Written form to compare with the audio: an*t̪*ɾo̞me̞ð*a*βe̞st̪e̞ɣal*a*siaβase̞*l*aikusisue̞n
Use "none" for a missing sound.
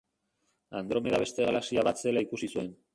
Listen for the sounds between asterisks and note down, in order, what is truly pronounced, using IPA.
d̪, a, a, l

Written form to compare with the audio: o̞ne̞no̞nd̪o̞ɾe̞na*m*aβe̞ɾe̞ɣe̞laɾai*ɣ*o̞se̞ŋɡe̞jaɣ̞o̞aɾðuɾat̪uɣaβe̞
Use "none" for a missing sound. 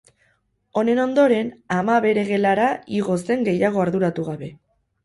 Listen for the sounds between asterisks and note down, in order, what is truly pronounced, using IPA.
m, ɣ

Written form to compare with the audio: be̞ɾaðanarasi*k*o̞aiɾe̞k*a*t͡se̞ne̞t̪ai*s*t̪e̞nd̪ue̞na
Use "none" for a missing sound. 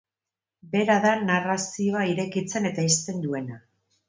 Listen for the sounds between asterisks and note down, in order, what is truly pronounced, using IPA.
none, i, s

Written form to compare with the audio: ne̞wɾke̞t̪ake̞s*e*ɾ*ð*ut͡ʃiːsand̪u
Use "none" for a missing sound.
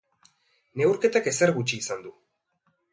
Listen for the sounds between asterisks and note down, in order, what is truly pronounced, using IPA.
e, ɣ

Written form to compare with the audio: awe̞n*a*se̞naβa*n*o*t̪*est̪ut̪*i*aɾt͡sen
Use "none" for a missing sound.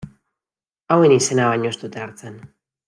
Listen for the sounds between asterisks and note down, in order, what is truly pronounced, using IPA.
i, ɲ, none, e

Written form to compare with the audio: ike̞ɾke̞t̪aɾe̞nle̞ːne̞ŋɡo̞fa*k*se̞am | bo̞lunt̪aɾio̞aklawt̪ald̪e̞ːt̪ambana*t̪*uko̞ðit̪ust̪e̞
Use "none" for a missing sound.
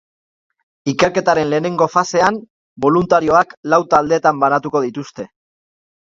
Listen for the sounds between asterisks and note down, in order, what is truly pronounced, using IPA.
none, t̪

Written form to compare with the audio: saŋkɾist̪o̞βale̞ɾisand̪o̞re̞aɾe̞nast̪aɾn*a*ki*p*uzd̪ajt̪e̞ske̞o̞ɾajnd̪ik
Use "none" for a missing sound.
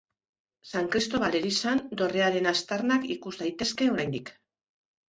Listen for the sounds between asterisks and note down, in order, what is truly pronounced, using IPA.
a, k

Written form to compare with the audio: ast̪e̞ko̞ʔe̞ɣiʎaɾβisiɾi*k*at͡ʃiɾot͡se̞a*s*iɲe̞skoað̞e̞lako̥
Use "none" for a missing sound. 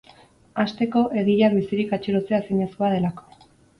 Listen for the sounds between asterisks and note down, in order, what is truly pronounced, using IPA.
k, s

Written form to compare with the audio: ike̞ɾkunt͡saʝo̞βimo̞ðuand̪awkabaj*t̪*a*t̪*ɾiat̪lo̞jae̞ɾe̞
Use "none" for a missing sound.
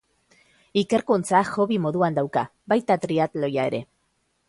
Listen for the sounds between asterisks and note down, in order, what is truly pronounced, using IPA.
t̪, t̪

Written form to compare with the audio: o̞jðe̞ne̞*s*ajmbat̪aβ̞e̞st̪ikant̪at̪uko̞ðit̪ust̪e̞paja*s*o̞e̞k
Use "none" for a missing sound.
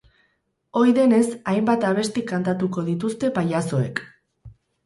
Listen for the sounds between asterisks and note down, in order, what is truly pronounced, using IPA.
s, s

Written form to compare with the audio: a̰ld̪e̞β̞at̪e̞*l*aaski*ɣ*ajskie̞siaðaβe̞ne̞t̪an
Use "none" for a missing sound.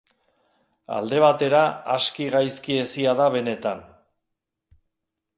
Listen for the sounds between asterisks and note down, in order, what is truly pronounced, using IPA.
ɾ, ɣ

